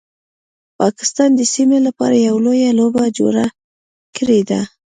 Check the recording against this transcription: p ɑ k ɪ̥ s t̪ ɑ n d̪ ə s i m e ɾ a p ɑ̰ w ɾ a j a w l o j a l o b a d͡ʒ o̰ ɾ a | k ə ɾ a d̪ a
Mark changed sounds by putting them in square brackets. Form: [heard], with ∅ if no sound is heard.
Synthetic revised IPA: p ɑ k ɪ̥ s t̪ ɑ n d̪ ə s i m e [l] a p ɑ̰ [∅] ɾ a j a w l o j a l o b a d͡ʒ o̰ ɾ a | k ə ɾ [e] d̪ a